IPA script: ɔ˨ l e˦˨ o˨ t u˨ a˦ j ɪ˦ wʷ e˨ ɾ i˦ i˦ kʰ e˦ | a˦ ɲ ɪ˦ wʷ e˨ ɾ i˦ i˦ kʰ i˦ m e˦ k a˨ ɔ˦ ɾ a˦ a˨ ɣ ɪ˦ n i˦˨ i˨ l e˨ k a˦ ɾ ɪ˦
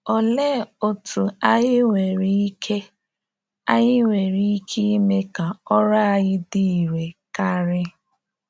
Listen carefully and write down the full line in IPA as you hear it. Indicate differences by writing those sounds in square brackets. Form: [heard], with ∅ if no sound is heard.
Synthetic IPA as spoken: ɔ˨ l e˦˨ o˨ t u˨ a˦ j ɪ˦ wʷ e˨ ɾ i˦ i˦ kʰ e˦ | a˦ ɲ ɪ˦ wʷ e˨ ɾ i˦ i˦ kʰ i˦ m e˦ k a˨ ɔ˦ ɾ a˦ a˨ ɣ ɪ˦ [d] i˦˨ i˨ [ɾ] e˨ k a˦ ɾ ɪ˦